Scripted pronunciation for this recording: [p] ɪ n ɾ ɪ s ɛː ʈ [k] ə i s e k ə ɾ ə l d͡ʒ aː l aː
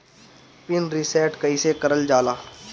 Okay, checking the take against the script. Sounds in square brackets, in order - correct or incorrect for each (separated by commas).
correct, correct